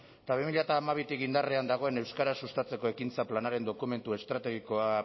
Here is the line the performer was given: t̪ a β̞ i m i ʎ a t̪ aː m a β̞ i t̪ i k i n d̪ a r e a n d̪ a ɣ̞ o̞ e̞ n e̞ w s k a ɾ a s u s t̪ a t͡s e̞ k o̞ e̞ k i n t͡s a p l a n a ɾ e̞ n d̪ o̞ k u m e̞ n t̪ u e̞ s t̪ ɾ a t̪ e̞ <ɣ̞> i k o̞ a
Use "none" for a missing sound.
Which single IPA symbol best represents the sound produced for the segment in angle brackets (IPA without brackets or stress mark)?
ɣ̞